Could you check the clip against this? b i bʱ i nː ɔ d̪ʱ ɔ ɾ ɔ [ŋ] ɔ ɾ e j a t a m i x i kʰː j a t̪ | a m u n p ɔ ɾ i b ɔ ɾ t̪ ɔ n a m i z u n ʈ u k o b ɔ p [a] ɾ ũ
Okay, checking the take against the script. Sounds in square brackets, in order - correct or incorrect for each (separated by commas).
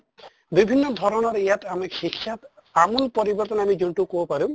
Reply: incorrect, correct